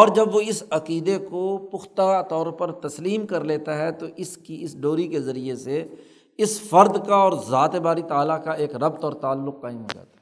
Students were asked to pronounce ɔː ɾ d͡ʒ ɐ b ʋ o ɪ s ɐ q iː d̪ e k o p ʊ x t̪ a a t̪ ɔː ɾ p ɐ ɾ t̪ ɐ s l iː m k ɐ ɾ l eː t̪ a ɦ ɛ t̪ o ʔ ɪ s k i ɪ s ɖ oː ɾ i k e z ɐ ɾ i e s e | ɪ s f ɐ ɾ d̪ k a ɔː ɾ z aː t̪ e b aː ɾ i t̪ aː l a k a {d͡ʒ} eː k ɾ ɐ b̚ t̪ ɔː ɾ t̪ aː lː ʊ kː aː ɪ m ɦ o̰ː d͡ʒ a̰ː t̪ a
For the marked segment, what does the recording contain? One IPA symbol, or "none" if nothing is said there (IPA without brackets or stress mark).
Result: none